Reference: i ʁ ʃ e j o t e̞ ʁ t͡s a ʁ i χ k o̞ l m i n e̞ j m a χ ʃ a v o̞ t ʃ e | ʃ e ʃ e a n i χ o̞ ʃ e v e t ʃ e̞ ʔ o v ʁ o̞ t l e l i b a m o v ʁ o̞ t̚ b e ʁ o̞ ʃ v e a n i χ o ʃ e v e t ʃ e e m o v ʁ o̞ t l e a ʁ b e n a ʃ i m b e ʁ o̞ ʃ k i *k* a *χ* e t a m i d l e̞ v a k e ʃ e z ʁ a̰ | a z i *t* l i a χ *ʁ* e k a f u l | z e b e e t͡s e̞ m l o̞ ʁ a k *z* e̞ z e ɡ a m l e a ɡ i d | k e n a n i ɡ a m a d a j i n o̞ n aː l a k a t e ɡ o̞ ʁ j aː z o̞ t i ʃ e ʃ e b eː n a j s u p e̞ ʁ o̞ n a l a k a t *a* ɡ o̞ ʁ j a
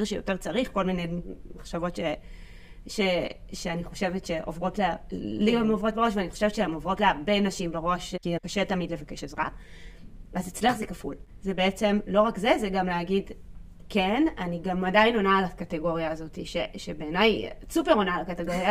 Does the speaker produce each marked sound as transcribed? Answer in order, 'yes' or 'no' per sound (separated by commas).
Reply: yes, no, no, no, yes, no